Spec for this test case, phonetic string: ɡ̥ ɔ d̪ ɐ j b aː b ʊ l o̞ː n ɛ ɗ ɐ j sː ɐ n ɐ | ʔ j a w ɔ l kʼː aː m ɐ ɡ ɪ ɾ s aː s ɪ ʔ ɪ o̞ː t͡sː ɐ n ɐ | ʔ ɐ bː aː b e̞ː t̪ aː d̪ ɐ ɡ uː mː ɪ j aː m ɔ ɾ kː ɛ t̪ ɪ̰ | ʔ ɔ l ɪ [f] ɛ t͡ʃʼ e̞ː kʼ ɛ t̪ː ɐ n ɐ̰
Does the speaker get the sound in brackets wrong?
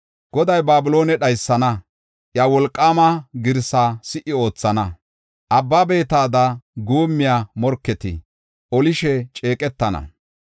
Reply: yes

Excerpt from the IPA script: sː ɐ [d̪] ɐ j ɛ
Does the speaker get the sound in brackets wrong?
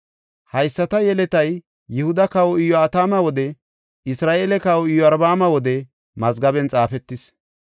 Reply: yes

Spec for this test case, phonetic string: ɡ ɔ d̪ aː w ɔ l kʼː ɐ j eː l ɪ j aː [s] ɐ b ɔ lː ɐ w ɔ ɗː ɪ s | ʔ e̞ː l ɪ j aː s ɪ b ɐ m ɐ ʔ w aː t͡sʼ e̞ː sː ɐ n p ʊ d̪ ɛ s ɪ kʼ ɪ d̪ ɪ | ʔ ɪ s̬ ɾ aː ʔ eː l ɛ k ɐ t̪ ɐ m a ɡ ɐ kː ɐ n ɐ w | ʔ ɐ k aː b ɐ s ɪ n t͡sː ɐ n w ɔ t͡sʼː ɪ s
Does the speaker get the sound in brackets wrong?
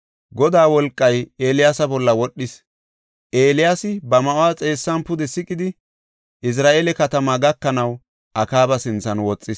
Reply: no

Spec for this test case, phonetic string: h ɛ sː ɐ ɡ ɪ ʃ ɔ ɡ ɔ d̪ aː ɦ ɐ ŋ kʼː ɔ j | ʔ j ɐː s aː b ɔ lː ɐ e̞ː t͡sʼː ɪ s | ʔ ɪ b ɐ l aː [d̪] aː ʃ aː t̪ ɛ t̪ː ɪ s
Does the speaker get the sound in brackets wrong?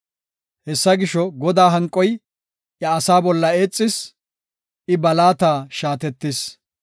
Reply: yes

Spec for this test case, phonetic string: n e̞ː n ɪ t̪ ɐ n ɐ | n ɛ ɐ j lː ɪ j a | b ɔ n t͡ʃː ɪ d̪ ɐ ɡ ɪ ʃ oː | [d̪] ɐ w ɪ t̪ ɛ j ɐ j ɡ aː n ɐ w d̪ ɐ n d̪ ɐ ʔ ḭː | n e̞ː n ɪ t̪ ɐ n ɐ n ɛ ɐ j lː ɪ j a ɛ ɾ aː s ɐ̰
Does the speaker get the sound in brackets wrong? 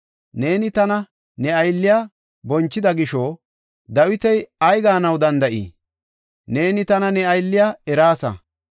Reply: no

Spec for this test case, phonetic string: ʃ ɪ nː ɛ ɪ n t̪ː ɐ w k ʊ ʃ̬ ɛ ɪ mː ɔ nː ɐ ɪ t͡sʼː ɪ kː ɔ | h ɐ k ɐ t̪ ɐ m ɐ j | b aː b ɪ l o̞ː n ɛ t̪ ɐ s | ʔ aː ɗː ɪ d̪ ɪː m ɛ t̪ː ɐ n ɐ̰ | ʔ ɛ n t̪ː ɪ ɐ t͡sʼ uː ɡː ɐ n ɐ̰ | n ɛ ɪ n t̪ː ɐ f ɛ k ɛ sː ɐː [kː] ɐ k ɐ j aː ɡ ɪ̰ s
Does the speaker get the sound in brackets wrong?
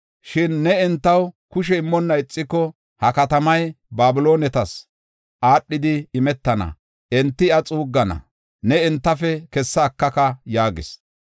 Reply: no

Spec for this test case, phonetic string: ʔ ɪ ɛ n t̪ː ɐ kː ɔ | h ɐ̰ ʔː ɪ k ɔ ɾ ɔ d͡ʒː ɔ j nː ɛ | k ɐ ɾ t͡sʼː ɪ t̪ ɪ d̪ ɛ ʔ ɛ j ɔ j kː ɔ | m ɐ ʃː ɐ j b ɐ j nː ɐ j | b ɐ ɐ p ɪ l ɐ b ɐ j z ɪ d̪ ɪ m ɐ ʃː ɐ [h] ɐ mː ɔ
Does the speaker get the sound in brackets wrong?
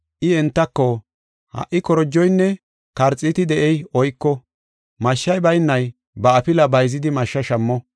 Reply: yes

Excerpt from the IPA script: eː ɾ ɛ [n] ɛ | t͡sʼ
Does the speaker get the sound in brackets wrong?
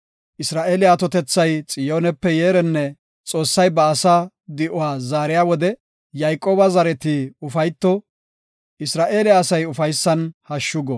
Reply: yes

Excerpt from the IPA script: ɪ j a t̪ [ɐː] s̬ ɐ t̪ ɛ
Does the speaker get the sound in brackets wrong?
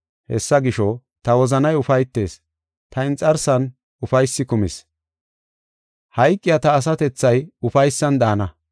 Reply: no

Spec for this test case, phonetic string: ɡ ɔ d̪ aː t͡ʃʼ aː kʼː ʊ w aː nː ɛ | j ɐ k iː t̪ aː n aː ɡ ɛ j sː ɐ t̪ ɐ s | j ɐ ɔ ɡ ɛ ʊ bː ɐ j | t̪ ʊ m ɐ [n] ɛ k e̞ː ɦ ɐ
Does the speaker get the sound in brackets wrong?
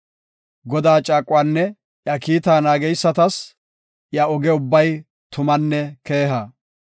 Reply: yes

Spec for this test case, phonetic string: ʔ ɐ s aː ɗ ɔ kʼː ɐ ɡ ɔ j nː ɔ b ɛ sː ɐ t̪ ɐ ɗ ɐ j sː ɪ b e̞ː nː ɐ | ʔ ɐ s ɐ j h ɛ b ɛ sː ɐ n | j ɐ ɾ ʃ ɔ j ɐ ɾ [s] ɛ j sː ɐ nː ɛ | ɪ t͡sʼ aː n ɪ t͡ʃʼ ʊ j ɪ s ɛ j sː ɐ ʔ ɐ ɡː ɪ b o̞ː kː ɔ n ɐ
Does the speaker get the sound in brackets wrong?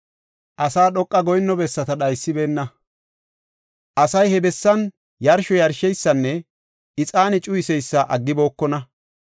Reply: yes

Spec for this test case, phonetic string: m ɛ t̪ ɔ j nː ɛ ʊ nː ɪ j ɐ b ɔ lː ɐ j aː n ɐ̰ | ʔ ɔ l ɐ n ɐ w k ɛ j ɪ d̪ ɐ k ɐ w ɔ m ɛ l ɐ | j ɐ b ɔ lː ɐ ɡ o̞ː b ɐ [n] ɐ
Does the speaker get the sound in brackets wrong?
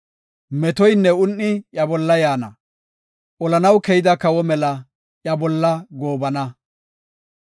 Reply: no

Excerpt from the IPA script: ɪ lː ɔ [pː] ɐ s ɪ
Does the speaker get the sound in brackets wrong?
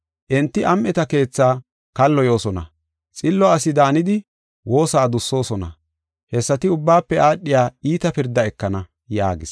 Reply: yes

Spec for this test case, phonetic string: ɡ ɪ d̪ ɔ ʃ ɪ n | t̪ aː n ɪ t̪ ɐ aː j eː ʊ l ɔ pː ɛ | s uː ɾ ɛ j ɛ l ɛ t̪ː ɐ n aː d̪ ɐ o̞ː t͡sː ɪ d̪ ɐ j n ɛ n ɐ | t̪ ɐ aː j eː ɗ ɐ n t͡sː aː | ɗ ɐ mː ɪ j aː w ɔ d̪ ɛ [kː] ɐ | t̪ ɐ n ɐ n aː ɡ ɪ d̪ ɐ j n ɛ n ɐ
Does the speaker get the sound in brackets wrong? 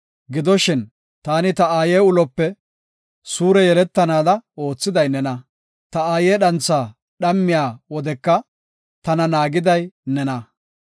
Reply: no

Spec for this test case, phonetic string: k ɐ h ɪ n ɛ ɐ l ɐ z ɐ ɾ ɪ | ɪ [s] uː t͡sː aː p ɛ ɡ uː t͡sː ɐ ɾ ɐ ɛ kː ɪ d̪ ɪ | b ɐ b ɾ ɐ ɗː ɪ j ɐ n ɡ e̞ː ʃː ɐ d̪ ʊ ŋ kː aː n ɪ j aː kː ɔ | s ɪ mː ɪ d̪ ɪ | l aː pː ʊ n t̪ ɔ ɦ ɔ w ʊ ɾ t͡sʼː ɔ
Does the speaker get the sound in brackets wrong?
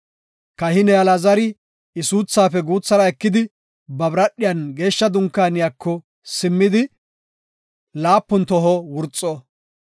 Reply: no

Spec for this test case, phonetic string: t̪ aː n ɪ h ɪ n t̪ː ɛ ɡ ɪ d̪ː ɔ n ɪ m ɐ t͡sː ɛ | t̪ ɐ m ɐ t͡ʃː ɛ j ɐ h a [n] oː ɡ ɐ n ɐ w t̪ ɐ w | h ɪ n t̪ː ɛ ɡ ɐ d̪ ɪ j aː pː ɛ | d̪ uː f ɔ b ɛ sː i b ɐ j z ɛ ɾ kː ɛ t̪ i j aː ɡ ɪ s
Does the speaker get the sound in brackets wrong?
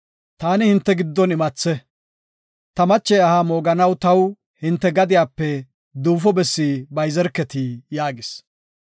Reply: yes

